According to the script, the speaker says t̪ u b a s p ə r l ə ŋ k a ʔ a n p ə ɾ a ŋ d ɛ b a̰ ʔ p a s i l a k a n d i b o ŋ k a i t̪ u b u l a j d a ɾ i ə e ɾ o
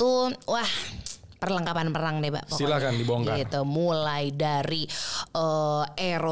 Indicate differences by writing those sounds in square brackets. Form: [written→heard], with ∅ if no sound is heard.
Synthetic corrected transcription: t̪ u [b→w] a [s→h] p ə r l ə ŋ k a [ʔ→p] a n p ə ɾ a ŋ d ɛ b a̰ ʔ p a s i l a k a n d i b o ŋ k a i t̪ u [b→m] u l a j d a ɾ i ə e ɾ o